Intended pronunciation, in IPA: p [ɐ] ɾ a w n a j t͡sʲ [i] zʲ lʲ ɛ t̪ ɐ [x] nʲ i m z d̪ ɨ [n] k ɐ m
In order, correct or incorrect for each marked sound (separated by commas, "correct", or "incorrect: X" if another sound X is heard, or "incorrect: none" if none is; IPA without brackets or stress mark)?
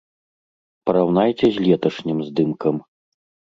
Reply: correct, incorrect: ɛ, incorrect: ʂ, incorrect: m